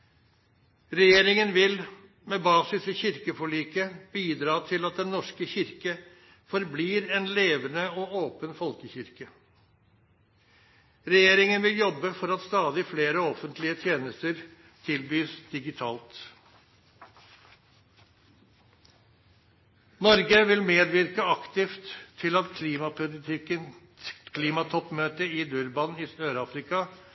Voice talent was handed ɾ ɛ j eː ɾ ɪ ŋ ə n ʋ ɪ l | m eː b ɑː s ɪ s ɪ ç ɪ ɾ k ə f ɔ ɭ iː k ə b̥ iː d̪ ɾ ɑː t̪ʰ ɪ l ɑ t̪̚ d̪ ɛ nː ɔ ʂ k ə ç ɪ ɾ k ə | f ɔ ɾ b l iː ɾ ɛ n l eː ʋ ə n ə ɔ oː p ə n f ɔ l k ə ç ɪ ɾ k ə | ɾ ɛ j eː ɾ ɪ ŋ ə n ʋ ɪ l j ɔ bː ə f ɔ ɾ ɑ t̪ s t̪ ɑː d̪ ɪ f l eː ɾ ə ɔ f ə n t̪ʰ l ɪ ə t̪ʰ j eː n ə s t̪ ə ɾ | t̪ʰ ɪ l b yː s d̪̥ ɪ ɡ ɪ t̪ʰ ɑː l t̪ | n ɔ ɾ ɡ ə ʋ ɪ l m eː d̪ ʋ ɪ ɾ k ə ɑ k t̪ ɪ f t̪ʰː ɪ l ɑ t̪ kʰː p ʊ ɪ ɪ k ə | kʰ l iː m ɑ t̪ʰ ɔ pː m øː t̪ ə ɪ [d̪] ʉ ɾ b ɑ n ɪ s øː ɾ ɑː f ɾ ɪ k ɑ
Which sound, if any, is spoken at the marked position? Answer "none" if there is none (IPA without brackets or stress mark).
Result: d̪